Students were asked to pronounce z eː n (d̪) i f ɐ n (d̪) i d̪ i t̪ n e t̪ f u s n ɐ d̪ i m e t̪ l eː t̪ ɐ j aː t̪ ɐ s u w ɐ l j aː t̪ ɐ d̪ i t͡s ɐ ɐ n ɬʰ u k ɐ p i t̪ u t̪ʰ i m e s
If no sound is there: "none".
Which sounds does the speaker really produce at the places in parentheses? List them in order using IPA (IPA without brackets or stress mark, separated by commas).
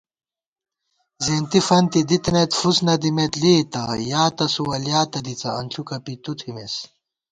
t̪, t̪